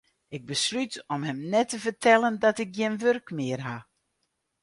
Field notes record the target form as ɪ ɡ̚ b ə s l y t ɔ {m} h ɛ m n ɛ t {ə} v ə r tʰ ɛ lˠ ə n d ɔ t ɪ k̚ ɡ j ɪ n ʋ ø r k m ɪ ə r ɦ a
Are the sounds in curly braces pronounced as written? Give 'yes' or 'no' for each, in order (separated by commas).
yes, yes